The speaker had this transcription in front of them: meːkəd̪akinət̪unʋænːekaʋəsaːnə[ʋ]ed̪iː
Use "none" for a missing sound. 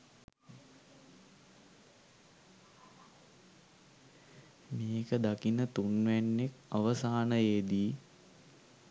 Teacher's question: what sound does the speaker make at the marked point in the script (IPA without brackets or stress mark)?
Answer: none